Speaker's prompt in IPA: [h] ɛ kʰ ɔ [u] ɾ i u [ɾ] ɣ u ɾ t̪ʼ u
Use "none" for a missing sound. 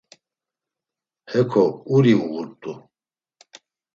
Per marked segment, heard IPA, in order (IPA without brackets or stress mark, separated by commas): h, u, none